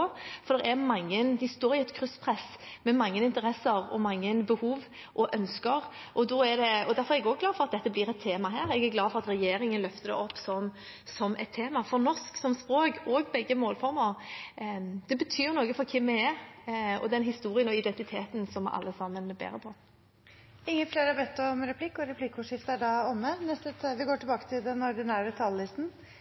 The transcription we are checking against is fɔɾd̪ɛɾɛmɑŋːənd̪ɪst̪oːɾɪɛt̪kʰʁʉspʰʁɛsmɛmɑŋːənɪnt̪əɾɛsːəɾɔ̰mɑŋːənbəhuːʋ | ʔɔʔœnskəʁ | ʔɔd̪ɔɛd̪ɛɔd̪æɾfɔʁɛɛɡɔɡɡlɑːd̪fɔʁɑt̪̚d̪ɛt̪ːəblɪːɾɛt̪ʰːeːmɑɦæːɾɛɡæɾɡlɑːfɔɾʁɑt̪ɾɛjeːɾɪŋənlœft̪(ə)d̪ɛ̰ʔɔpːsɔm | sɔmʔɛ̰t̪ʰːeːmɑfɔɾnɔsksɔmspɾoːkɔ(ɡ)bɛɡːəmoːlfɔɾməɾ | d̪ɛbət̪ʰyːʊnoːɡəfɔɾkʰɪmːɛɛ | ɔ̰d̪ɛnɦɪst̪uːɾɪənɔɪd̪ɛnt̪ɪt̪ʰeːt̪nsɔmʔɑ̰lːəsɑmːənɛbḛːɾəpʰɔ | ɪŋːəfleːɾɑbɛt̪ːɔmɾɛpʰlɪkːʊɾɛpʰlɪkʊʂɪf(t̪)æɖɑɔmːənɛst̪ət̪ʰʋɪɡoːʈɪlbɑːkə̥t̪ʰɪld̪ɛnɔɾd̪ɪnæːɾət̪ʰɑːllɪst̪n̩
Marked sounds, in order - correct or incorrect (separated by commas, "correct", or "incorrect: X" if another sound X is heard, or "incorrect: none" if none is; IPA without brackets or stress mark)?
correct, correct, correct